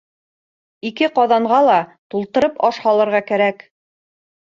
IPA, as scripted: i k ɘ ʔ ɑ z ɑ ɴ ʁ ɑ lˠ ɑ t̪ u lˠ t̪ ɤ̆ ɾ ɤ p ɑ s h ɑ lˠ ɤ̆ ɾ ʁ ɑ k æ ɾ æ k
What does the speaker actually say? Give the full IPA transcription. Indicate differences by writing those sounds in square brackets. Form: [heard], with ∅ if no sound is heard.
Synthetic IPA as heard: i k ɘ [q] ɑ [ð] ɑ ɴ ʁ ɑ lˠ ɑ t̪ u lˠ t̪ ɤ̆ ɾ ɤ p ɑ [ʃ] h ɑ lˠ ɤ̆ ɾ ʁ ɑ k æ ɾ æ k